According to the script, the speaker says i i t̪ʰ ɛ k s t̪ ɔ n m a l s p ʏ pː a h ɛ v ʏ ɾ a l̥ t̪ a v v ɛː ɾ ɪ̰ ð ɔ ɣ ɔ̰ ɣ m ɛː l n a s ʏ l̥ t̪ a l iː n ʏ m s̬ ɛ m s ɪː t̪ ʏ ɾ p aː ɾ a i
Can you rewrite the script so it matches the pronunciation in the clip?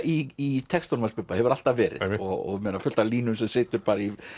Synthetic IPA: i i t̪ʰ ɛ k s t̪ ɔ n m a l s p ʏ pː a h ɛ v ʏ ɾ a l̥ t̪ a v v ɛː ɾ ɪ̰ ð ɔ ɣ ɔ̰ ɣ m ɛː n a f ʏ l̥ t̪ a l iː n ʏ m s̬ ɛ m s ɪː t̪ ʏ ɾ p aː ɾ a i